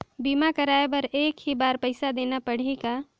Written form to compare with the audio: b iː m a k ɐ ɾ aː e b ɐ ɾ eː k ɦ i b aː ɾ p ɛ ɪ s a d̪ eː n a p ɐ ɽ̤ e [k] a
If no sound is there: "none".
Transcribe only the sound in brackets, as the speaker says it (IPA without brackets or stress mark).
k